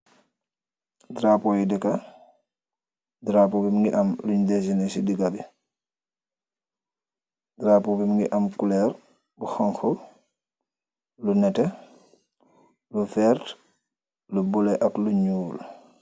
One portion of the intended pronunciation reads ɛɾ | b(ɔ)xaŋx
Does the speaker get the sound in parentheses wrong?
yes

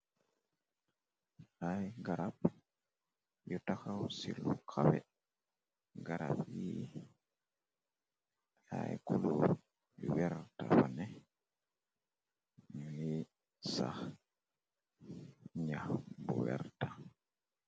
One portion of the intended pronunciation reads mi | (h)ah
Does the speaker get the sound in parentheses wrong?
yes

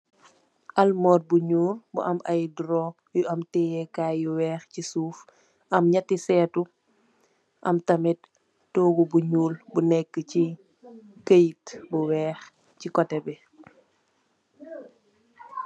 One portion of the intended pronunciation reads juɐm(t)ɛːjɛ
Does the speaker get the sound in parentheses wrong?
no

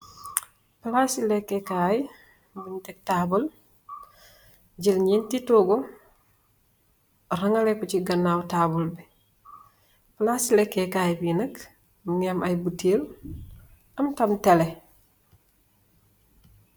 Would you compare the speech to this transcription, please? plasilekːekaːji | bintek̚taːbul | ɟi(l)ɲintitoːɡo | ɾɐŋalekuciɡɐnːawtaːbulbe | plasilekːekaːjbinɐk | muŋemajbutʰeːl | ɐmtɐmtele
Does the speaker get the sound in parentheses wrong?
no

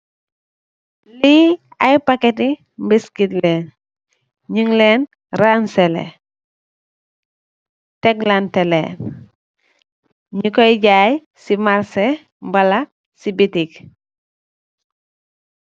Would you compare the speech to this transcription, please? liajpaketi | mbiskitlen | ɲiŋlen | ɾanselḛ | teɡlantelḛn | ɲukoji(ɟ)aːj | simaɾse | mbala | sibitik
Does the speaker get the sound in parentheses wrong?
no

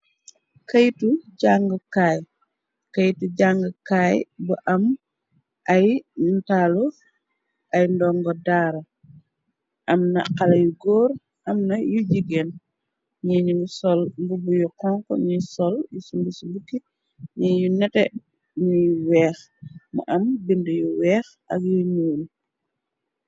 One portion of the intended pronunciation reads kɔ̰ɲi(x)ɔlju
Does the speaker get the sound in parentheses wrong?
yes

